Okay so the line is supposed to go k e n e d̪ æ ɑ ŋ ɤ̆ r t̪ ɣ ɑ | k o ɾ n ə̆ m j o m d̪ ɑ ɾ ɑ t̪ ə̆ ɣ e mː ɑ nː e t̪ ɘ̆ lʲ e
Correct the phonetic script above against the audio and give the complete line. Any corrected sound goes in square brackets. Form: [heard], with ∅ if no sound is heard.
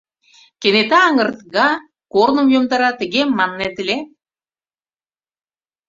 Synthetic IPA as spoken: k e n e [t̪] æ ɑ ŋ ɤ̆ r t̪ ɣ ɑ | k o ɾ n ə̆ m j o m d̪ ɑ ɾ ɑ t̪ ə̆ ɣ e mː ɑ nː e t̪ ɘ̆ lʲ e